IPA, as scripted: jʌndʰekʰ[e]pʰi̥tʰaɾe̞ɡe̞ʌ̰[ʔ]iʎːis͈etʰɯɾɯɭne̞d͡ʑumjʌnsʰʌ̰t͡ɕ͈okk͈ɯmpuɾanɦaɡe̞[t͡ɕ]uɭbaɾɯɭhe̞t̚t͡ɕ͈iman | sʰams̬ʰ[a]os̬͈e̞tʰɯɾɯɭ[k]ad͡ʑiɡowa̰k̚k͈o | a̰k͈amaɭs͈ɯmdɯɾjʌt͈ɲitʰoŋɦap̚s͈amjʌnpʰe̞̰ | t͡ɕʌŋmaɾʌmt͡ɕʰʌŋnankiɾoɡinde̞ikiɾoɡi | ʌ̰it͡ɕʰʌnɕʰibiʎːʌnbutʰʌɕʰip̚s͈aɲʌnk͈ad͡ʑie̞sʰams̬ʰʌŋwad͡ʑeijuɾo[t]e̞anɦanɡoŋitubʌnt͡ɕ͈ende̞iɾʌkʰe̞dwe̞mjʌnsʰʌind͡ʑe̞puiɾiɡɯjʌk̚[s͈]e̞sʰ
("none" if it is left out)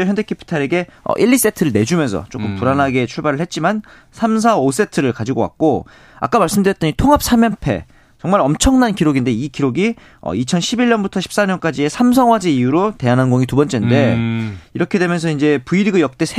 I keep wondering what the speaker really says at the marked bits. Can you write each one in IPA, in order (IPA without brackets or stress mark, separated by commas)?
e, ʔ, t͡ɕʰ, a, k, t, t͈